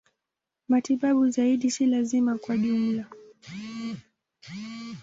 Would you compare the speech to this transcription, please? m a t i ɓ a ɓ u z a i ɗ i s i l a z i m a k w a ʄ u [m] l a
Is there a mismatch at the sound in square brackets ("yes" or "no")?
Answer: no